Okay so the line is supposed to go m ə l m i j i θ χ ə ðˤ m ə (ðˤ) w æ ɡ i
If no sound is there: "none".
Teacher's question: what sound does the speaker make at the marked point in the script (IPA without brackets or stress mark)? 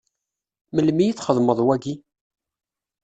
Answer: ðˤ